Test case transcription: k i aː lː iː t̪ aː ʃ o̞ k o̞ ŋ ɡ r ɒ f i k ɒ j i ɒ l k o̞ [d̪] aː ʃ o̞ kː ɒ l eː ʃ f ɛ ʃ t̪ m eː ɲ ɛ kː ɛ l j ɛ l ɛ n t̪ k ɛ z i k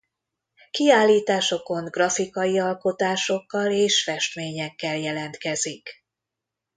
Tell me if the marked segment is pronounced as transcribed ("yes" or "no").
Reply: no